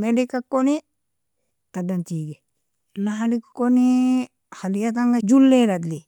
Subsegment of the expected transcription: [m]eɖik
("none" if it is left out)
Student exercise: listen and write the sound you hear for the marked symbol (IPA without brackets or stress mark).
m